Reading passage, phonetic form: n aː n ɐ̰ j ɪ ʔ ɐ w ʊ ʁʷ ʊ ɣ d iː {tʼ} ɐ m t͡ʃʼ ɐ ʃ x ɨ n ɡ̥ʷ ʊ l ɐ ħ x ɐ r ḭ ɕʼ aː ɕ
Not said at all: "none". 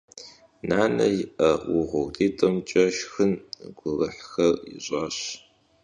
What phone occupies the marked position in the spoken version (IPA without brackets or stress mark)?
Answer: tʼ